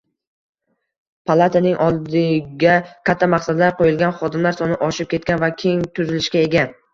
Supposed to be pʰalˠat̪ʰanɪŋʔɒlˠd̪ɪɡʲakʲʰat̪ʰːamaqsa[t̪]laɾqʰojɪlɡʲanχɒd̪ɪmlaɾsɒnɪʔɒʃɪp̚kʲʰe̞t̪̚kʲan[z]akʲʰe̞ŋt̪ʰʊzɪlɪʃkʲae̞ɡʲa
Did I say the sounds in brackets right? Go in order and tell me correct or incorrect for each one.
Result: incorrect: d̪, incorrect: v

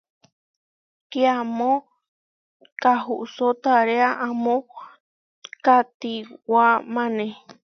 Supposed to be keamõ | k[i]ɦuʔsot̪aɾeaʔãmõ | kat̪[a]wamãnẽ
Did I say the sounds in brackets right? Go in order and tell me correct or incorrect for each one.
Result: incorrect: a, incorrect: i

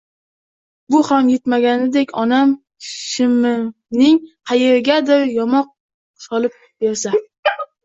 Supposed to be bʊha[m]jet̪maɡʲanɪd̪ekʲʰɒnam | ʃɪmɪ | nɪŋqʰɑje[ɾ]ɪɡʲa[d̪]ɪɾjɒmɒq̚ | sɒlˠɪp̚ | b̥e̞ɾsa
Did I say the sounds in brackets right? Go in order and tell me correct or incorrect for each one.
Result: correct, correct, correct

